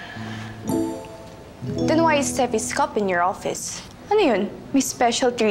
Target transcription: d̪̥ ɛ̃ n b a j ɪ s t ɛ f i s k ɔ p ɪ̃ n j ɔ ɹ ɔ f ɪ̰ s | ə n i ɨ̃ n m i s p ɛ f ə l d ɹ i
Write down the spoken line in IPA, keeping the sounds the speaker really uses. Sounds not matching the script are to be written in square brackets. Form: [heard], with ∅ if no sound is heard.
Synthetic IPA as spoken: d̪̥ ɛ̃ n [w] a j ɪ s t ɛ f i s k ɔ p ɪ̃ n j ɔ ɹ ɔ f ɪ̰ s | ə n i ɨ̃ n m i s p ɛ [ʃ] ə l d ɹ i